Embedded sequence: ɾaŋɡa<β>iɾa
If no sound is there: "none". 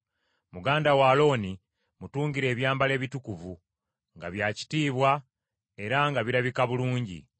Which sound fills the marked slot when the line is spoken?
β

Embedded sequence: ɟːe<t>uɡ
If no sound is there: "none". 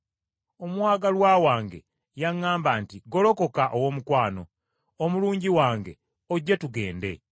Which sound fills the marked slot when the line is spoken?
t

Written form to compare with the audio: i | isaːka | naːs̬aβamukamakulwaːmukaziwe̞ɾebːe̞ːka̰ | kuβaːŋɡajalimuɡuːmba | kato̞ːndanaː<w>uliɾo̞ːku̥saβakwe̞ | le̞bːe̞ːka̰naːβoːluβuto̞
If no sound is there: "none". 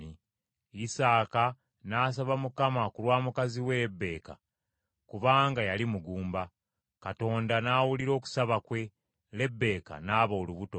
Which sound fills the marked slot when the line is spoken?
w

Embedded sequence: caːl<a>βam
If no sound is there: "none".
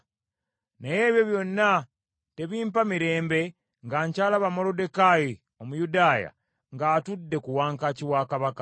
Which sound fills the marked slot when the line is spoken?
a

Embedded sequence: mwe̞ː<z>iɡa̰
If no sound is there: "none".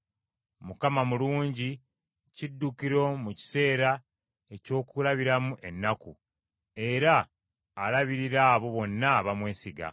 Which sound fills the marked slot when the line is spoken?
s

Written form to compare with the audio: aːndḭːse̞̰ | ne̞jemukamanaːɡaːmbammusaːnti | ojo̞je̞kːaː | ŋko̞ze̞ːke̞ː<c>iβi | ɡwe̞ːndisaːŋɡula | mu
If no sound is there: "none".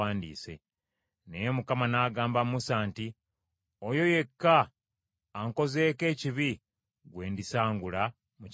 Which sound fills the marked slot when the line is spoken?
c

